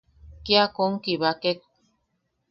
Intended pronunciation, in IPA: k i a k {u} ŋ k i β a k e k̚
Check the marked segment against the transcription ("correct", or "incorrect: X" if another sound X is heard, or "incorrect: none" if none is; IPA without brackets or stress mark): incorrect: o